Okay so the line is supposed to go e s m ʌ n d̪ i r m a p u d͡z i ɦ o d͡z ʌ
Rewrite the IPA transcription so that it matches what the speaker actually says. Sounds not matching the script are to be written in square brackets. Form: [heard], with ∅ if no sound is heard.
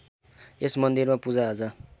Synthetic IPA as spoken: e s m ʌ n d̪ i r m a p u d͡z [a] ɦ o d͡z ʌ